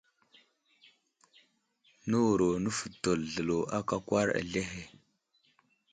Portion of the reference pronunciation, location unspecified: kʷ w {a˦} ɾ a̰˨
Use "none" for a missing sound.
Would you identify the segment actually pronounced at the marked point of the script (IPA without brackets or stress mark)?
a˦